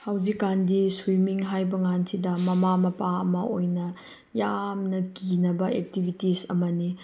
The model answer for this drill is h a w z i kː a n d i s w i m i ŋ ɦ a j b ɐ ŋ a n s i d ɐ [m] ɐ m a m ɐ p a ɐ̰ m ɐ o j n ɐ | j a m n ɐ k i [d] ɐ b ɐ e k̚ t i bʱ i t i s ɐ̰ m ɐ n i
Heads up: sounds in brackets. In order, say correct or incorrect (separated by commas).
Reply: correct, incorrect